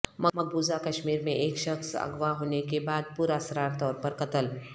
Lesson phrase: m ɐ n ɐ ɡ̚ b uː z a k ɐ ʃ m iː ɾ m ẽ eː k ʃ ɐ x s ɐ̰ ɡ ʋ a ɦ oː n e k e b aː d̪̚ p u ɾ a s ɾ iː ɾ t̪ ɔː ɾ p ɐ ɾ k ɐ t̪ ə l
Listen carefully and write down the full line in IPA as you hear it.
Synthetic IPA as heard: m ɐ m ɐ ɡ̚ b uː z a k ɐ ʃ m iː ɾ m ẽ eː k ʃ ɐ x s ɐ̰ ɡ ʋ a ɦ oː n e k e b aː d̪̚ p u ɾ a s ɾ aː ɾ t̪ ɔː ɾ p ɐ ɾ k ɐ t̪ ə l